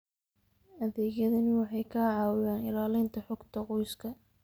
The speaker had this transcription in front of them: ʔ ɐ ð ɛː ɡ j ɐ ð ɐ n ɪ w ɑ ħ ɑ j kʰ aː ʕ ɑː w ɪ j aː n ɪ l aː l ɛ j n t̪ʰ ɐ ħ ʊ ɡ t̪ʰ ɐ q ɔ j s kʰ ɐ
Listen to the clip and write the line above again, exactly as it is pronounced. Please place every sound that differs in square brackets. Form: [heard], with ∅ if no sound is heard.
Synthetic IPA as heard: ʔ ɐ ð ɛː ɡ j ɐ ð ɐ n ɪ w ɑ ħ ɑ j kʰ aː ʕ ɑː w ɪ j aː n ɪ l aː l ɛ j n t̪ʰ ɐ ħ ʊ ɡ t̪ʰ ɐ q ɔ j s kʰ ɐ